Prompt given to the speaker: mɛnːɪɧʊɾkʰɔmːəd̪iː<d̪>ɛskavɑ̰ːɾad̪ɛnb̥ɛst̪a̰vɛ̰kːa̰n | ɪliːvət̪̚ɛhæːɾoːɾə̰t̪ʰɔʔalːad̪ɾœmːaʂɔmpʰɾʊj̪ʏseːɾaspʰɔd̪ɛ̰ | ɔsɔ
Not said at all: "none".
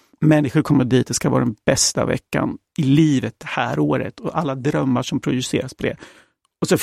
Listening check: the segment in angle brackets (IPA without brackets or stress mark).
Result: t̪